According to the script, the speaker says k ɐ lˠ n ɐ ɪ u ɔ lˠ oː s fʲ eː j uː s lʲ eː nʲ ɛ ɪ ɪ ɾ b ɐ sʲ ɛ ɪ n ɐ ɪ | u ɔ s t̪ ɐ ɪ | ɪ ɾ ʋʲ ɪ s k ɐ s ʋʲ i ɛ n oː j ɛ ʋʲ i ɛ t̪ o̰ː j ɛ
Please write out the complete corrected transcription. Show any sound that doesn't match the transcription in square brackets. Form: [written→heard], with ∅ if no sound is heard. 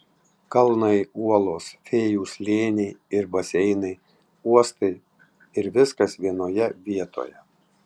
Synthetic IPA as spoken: k ɐ lˠ n ɐ ɪ u ɔ lˠ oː s fʲ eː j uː s lʲ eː nʲ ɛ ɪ ɪ ɾ b ɐ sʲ ɛ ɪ n ɐ ɪ | u ɔ s t̪ ɐ ɪ | ɪ ɾ ʋʲ ɪ s k ɐ s ʋʲ i ɛ n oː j ɛ ʋʲ i ɛ t̪ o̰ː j ɛ